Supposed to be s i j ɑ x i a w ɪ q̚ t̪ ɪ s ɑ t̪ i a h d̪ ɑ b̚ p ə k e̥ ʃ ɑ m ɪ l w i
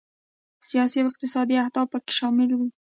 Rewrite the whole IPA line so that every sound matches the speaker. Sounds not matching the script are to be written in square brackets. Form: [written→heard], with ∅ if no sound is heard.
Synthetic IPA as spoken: s i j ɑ [x→s] i a w ɪ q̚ t̪ ɪ s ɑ [t̪→d̪] i a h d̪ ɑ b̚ p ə k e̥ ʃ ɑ m ɪ l w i